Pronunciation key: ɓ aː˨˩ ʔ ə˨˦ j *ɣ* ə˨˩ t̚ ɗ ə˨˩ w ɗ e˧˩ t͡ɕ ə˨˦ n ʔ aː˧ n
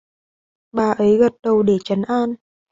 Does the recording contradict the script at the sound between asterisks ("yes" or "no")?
no